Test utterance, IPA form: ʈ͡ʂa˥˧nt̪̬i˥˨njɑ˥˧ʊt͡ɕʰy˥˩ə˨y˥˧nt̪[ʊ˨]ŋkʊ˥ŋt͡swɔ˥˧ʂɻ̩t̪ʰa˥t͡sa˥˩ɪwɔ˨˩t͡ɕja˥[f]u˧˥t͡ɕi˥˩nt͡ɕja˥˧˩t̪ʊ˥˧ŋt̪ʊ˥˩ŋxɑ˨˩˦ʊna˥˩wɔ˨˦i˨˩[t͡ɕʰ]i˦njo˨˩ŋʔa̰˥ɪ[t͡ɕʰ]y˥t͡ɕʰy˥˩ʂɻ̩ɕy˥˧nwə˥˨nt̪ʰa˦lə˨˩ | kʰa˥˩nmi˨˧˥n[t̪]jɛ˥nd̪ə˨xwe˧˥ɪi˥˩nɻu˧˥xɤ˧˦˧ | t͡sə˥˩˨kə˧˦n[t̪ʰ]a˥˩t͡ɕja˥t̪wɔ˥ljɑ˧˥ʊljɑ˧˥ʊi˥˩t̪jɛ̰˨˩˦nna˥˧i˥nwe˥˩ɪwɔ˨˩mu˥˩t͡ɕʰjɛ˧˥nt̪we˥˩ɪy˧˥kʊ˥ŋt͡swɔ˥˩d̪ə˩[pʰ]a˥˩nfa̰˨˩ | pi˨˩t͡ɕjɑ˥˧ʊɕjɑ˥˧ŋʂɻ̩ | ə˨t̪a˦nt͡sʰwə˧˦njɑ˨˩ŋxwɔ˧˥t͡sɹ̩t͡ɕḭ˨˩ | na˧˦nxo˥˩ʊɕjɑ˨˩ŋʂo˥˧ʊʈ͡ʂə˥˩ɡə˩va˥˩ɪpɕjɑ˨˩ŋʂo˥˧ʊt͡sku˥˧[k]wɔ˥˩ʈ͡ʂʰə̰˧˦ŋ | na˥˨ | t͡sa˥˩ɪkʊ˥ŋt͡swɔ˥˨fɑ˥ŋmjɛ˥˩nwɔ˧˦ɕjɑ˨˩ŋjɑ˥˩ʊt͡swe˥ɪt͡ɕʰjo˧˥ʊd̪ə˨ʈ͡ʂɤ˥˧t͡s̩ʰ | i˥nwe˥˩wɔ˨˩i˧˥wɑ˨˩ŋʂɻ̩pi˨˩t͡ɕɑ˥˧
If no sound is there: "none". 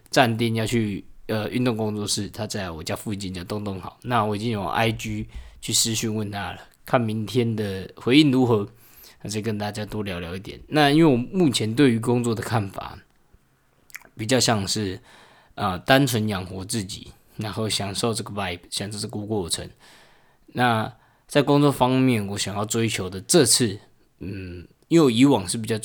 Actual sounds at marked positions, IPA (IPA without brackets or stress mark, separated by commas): ʊ˥˩, f, t͡ɕ, t͡ɕ, t̪ʰ, t̪, kʰ, k